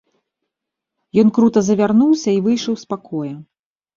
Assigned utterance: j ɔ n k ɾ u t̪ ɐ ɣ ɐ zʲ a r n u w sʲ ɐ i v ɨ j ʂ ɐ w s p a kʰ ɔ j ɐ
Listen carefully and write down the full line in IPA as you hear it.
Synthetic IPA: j ɔ n k ɾ u t̪ ɐ z ɐ vʲ a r n u w sʲ ɐ i v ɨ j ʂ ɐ w s p a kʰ ɔ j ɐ